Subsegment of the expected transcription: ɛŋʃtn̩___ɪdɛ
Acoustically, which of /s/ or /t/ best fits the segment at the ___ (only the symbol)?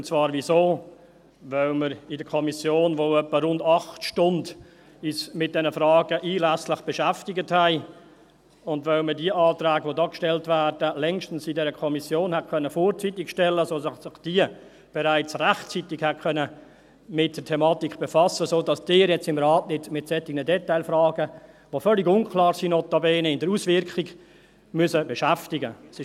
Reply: s